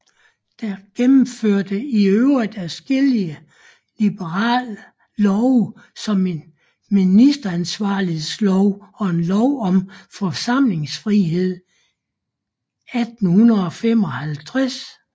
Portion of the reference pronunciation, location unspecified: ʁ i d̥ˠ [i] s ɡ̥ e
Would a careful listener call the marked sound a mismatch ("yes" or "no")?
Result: yes